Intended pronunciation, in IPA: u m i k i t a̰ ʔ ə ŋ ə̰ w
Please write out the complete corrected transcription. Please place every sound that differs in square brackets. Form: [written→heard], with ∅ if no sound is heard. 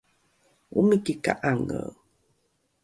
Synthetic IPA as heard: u m i k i [t→k] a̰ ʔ [ə→a] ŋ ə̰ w